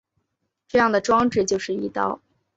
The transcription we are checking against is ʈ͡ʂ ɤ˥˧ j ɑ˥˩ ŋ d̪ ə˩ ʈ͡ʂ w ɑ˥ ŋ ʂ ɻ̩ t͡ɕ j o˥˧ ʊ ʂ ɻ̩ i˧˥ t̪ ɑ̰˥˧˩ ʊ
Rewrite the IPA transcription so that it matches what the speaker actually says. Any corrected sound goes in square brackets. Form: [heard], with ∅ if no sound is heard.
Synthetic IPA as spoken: ʈ͡ʂ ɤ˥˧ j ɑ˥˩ ŋ d̪ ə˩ ʈ͡ʂ w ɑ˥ ŋ [ʈ͡ʂ] ɻ̩ t͡ɕ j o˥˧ ʊ ʂ ɻ̩ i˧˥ t̪ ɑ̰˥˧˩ ʊ